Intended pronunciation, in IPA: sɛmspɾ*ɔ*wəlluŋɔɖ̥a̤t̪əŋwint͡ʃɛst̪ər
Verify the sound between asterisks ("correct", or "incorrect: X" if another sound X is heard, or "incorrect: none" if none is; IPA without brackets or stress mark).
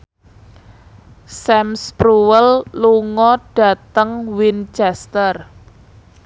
incorrect: u